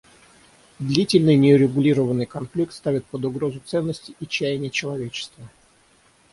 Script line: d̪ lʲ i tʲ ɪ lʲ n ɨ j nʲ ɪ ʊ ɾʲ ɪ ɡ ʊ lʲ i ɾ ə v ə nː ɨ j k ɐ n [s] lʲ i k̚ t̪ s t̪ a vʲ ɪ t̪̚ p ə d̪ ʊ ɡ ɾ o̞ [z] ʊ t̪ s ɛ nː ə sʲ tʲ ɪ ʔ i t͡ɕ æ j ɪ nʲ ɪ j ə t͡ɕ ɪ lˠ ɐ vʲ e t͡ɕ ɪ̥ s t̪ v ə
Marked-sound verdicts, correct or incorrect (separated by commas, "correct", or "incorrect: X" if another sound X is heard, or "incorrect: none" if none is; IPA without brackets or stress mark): incorrect: f, correct